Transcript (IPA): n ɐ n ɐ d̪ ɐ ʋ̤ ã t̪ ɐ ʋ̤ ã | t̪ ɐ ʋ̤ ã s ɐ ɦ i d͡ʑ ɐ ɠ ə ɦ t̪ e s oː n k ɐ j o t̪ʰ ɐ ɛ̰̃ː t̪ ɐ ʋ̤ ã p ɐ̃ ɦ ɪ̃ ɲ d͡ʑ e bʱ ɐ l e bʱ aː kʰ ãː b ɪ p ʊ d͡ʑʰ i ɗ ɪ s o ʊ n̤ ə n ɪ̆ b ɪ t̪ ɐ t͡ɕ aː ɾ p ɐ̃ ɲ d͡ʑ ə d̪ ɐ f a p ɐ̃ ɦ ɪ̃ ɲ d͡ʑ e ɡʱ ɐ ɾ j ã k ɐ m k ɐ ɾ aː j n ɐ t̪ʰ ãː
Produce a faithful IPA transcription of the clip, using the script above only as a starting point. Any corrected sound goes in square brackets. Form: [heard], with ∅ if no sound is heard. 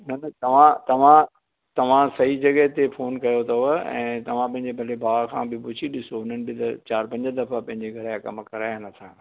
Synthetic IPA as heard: n ɐ n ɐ [t̪] ɐ ʋ̤ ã t̪ ɐ ʋ̤ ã | t̪ ɐ ʋ̤ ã s ɐ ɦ i d͡ʑ ɐ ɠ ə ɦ t̪ e [f] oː n k ɐ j o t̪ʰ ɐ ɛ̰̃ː t̪ ɐ ʋ̤ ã p ɐ̃ ɦ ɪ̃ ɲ d͡ʑ e bʱ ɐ l e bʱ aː kʰ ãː b ɪ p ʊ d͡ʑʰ i ɗ ɪ s o ʊ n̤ ə n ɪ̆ b ɪ t̪ ɐ t͡ɕ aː ɾ p ɐ̃ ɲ d͡ʑ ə d̪ ɐ f a p ɐ̃ ɦ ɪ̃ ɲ d͡ʑ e ɡʱ ɐ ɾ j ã k ɐ m k ɐ ɾ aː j n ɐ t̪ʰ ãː